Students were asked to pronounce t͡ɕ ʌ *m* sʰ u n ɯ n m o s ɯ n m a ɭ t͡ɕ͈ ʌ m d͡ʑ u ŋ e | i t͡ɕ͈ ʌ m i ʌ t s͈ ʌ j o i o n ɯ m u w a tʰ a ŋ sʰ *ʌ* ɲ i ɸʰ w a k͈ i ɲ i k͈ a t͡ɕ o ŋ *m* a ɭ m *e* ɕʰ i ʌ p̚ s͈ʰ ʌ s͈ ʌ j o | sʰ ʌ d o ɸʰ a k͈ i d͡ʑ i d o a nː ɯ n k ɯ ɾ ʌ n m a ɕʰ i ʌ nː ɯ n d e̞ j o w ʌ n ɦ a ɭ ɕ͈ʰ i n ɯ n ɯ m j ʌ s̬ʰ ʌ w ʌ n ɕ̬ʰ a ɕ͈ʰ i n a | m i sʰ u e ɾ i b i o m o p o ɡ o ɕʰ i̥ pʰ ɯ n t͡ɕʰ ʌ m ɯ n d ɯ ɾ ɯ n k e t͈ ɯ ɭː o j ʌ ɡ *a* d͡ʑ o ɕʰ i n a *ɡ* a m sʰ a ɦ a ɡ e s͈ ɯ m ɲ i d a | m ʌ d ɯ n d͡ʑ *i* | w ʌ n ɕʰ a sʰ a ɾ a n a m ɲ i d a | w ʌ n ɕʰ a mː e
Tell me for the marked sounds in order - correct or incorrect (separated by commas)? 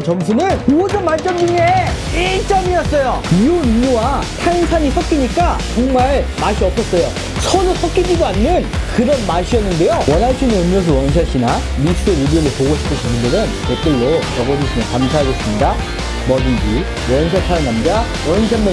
correct, incorrect, correct, incorrect, incorrect, incorrect, correct